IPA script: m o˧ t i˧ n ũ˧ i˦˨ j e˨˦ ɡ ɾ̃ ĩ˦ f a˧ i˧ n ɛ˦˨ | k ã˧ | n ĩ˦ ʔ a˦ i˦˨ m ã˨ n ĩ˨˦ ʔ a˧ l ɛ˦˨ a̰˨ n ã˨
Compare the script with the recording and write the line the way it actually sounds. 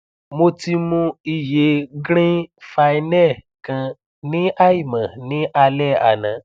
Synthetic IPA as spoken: m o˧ t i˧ m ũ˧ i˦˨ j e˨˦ ɡ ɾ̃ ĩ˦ f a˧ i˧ n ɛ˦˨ | k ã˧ | n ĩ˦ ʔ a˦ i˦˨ m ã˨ n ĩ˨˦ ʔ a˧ l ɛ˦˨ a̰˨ n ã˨